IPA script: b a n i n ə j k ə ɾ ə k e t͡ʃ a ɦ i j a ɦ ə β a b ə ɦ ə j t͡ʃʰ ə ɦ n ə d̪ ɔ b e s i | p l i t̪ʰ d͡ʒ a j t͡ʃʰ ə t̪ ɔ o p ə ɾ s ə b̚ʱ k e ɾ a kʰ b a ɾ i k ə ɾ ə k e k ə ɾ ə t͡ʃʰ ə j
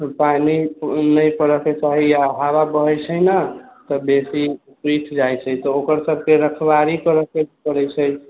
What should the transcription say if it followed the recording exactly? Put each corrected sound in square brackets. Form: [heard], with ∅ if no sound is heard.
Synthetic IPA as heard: [p] a n i n ə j [p] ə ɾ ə k e t͡ʃ a ɦ i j a ɦ [a] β a b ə ɦ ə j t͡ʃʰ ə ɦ n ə [t̪] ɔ b e s i | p [ɾ] i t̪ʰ d͡ʒ a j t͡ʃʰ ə t̪ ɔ o [k] ə ɾ s ə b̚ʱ k e ɾ [ə] kʰ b a ɾ i k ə ɾ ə k e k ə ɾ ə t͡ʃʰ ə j